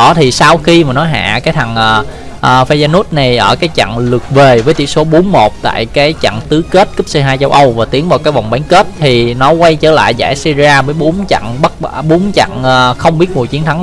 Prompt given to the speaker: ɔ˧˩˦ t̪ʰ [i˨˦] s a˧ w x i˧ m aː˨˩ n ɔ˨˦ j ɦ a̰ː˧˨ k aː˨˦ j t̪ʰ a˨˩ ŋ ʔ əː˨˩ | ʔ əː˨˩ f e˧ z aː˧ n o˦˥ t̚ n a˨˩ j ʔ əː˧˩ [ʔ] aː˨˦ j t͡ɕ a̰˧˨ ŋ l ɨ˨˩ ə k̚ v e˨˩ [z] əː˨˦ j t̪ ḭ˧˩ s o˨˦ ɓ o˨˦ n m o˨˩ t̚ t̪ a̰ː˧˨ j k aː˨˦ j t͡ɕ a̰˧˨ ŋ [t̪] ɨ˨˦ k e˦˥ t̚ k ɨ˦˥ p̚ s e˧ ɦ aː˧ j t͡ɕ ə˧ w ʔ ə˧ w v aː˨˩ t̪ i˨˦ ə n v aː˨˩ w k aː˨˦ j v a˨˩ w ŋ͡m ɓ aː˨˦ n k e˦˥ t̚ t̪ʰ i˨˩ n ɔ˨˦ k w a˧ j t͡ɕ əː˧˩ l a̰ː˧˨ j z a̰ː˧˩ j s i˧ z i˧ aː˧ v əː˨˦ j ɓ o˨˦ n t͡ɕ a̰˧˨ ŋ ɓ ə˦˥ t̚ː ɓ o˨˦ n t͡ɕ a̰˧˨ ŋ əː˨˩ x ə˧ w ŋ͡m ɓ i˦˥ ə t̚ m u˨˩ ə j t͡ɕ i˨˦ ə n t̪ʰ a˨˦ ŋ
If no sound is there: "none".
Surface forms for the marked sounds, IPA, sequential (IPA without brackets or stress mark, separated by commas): i˨˩, k, v, t̪